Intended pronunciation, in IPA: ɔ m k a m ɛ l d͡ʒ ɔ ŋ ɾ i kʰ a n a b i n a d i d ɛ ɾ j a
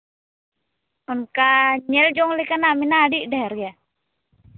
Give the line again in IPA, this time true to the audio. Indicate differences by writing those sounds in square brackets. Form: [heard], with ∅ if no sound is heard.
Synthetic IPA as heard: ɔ [n] k a [ɲ] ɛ l d͡ʒ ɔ ŋ [l] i [k] a n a [m] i n a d i d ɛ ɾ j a